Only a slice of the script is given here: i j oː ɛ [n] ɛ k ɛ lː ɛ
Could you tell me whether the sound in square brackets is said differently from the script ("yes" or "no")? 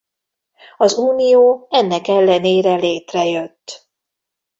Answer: yes